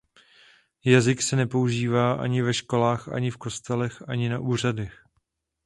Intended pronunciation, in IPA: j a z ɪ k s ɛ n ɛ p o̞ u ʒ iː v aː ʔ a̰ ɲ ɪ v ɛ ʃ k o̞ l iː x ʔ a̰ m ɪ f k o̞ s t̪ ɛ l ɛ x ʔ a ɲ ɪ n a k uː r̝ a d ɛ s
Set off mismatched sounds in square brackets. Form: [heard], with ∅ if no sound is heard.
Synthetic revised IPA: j a z ɪ k s ɛ n ɛ p o̞ u ʒ iː v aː ʔ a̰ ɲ ɪ v ɛ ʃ k o̞ l [aː] x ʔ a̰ [ɲ] ɪ f k o̞ s t̪ ɛ l ɛ x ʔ a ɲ ɪ n a [ʔ] uː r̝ a d ɛ [x]